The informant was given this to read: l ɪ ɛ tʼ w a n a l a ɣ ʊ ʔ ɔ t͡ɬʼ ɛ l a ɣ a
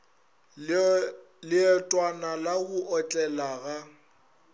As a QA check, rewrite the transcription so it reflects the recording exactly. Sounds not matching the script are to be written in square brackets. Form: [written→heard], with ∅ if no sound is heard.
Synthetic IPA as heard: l ɪ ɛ tʼ w a n a l a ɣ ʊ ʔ ɔ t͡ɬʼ ɛ l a ɣ a